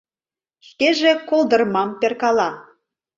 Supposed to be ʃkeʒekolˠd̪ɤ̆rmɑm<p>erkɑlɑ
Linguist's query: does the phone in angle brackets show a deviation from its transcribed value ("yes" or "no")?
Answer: no